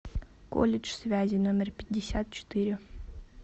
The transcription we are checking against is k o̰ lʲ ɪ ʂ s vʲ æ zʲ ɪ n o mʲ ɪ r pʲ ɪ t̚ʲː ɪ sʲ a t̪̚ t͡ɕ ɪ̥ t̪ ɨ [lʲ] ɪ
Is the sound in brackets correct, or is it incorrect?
incorrect: ɾʲ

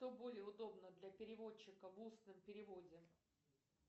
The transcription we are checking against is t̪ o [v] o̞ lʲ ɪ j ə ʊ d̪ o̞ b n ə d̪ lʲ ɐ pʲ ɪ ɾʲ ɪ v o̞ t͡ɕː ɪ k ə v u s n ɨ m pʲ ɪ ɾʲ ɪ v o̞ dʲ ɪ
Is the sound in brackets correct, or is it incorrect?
incorrect: b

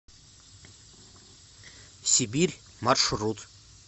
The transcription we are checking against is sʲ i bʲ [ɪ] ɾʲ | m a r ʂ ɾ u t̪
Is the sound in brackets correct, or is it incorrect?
incorrect: i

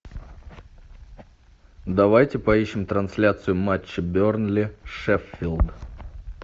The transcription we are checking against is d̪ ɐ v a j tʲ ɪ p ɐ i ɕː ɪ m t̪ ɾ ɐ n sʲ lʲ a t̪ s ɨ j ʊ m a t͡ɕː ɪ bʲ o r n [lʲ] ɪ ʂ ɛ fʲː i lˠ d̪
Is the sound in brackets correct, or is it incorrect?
correct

